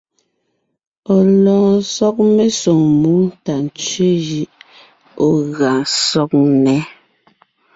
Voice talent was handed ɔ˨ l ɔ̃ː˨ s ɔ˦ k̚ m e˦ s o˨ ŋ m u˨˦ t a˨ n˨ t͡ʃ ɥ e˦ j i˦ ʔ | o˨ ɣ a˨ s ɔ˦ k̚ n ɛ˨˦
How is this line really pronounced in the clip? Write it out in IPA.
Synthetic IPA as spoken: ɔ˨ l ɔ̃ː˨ s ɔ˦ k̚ m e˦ s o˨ ŋ m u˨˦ t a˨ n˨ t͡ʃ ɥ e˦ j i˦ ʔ | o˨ ɣ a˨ s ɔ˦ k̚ n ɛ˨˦